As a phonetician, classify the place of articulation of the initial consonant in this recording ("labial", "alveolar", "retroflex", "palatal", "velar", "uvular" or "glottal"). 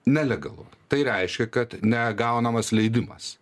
alveolar